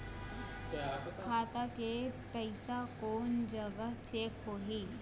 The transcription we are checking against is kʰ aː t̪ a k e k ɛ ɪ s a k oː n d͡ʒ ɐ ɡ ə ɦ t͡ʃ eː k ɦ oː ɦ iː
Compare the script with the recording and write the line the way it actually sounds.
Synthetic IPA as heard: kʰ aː t̪ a k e p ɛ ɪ s a k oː n d͡ʒ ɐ ɡ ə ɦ t͡ʃ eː k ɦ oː ɦ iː